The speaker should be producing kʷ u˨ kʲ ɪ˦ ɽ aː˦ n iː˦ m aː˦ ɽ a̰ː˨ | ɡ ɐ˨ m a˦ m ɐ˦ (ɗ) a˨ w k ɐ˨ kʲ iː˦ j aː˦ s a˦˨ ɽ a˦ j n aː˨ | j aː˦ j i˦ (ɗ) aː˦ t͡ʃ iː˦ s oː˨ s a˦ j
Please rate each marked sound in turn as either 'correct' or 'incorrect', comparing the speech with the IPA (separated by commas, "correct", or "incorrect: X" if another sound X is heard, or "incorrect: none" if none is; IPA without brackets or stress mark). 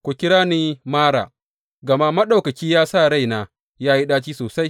correct, correct